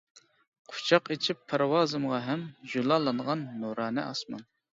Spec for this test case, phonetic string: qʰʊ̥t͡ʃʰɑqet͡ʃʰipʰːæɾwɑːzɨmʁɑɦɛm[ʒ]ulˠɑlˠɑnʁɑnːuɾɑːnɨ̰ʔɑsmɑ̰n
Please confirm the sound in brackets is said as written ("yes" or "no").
yes